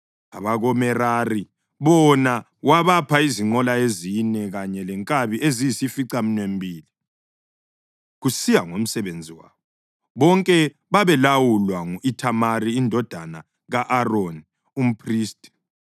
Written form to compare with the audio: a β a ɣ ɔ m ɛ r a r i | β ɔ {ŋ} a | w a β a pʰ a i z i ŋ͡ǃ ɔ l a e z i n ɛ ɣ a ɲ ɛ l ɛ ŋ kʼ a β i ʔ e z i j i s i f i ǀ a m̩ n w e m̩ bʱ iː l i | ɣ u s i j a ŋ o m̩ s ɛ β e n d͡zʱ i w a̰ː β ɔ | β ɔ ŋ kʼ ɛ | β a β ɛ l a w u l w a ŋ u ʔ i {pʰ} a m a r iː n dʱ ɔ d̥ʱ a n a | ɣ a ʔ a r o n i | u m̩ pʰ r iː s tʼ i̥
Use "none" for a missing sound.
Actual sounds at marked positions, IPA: n, tʰ

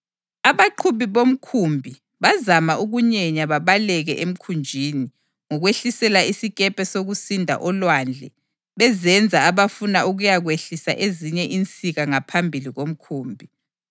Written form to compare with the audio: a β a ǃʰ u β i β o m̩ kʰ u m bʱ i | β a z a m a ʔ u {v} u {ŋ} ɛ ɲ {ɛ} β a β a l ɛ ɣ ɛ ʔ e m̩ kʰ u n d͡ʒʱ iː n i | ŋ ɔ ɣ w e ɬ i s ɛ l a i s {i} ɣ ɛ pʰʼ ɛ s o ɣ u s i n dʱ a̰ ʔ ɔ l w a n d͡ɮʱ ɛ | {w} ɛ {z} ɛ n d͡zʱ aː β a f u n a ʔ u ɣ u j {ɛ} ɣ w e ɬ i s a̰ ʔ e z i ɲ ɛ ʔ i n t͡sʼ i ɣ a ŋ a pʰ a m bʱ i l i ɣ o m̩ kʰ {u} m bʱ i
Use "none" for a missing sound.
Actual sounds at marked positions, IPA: ɣ, ɲ, a, i, β, z, a, uː

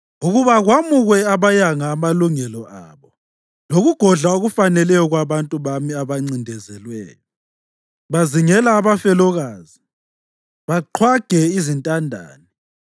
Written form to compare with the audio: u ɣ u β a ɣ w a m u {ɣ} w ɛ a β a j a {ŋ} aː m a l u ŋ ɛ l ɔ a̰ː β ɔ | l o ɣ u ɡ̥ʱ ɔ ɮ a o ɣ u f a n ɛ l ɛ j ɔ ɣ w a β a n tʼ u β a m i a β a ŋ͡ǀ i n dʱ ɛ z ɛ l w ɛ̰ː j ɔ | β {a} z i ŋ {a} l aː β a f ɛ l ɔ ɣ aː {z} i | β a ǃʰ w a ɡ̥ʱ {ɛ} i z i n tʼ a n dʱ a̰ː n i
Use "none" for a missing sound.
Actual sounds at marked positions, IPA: ɣ, ŋ, a, ɛ, z, ɛ

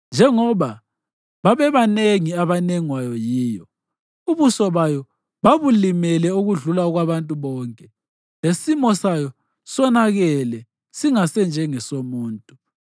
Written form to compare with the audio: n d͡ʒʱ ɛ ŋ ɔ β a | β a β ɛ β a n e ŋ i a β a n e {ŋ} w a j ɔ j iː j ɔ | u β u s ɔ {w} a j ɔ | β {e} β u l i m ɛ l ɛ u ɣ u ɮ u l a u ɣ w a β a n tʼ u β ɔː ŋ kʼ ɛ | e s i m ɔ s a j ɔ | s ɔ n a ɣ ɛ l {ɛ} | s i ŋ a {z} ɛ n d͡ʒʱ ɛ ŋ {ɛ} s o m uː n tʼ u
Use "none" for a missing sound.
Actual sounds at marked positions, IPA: ŋ, β, a, ɛ, s, ɛ

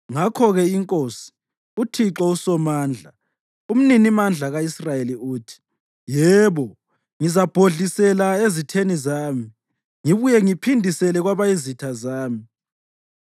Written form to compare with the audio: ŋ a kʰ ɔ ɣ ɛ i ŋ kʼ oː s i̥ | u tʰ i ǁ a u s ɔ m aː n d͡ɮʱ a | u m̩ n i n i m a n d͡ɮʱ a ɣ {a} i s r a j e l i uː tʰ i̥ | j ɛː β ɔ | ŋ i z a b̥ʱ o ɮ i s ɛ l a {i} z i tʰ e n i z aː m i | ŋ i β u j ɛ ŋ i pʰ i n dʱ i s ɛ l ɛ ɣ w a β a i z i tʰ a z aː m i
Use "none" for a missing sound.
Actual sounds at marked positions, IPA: a, e

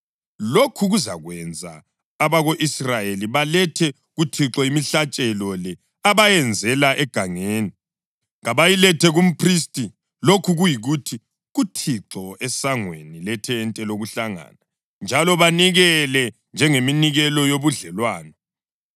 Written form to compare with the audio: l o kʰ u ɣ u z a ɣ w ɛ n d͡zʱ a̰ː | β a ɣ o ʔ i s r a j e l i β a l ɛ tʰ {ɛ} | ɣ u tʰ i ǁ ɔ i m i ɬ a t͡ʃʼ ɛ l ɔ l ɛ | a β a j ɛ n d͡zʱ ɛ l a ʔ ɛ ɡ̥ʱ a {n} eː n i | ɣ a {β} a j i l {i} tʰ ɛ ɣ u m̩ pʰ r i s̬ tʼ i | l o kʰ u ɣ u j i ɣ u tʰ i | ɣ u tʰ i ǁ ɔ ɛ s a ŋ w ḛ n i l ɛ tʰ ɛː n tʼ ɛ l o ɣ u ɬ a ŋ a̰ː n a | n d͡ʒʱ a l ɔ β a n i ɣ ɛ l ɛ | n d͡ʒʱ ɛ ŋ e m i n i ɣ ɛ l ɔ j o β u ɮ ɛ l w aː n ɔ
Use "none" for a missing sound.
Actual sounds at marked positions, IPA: ɛ, ŋ, β, ɛ

